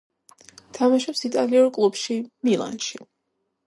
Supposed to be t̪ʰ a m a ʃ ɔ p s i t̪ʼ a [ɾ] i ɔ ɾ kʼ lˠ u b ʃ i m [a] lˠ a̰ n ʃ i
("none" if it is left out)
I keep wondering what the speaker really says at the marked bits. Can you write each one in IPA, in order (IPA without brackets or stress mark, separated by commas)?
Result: l, i